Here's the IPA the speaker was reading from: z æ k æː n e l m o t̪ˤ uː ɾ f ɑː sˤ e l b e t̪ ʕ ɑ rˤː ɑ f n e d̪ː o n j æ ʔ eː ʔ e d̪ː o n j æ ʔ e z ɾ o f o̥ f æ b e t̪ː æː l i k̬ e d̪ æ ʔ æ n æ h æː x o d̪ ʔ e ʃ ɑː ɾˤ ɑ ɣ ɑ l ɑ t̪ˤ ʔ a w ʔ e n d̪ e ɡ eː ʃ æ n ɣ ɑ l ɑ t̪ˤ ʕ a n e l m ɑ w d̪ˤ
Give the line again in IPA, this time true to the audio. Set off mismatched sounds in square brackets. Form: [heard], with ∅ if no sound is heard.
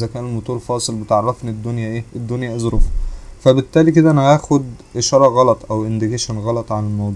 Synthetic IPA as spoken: z æ k æː n e l m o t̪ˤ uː ɾ f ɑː sˤ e l b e t̪ ʕ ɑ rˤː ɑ f n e d̪ː o n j æ ʔ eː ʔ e d̪ː o n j æ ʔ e z ɾ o f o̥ f æ b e t̪ː æː l i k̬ e d̪ æ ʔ æ n æ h æː x o d̪ ʔ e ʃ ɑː ɾˤ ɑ ɣ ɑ l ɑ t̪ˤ ʔ [æ] w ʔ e n d̪ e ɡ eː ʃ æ n ɣ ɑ l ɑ t̪ˤ ʕ a n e l m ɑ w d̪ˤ